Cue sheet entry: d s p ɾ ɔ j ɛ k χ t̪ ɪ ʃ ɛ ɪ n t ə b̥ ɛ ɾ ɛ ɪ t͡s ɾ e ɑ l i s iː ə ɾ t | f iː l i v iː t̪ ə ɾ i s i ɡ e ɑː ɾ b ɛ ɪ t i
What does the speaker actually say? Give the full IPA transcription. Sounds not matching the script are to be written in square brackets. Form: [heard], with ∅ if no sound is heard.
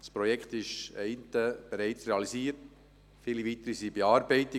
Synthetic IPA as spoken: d s p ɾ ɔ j ɛ k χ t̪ ɪ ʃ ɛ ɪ n t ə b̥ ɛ ɾ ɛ ɪ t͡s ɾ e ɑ l i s iː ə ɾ t | f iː l i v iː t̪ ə ɾ i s i [b] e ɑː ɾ b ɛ ɪ t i